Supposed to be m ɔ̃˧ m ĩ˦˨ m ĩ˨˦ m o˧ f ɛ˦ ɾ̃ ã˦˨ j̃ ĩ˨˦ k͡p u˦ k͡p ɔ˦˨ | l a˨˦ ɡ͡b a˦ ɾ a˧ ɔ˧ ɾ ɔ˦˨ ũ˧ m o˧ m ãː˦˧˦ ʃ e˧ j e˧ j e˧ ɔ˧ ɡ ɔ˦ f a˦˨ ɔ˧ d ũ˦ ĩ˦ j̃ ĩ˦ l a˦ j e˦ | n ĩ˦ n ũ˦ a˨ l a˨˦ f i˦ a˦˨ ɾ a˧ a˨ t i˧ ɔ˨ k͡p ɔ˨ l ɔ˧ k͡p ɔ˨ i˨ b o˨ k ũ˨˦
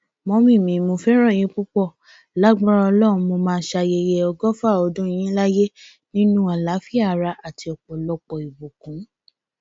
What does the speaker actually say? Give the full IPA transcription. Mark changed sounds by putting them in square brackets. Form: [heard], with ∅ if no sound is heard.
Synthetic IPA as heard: m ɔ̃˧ m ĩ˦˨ m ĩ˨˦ m o˧ f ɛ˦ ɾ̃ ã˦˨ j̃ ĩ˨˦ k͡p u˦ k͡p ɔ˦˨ | l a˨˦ ɡ͡b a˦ ɾ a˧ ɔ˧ [l] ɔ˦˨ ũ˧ m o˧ m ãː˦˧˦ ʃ [a˧] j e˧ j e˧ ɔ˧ ɡ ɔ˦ f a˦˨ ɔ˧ d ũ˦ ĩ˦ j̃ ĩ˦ l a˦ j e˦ | n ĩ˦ n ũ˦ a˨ l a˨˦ f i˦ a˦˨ ɾ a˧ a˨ t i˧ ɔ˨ k͡p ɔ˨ l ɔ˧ k͡p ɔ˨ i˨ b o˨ k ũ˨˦